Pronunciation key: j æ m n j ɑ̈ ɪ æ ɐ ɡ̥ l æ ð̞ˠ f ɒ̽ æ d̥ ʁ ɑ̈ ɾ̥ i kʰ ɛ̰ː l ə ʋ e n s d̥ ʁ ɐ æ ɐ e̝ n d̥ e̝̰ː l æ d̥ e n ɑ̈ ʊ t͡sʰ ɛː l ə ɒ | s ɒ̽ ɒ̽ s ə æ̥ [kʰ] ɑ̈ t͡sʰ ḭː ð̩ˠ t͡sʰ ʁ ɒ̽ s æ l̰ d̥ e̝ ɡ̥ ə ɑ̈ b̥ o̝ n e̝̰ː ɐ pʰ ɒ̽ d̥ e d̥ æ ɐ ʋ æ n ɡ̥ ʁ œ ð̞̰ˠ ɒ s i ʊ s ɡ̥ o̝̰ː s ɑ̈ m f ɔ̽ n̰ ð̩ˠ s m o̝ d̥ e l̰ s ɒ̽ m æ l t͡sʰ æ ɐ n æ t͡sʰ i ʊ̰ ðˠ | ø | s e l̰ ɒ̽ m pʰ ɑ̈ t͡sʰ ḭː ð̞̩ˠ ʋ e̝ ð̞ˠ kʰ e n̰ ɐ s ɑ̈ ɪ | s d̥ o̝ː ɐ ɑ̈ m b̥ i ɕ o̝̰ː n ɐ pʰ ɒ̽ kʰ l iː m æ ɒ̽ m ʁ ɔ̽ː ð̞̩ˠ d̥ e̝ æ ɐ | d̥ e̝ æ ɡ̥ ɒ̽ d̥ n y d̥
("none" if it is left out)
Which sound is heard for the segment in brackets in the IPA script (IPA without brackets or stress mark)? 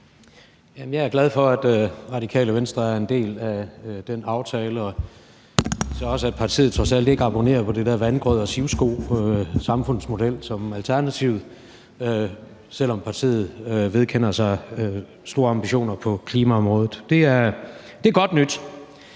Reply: pʰ